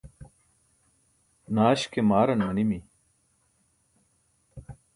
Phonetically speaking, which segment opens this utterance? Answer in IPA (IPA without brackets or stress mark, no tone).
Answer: n